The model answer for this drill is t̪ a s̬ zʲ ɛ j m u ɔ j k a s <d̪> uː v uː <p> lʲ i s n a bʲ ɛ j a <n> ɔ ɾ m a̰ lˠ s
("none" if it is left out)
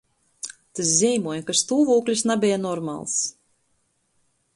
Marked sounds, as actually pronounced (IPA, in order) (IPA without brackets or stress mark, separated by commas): t̪, k, n